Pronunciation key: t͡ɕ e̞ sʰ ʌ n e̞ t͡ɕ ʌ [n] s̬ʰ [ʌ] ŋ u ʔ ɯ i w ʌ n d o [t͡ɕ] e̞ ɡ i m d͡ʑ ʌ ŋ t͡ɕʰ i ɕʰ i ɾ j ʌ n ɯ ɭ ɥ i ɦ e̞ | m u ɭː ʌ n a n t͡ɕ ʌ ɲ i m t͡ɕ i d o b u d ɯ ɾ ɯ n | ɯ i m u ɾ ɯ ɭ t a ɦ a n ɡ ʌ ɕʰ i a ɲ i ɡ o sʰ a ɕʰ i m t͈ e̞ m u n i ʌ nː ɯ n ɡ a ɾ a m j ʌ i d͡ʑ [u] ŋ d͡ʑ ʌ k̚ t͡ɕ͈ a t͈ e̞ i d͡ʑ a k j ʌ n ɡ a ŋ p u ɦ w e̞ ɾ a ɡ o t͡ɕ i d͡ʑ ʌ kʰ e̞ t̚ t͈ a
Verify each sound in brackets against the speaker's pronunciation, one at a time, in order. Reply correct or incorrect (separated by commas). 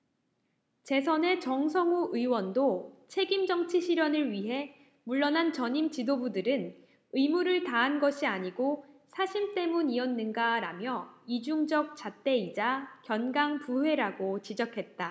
incorrect, correct, incorrect, correct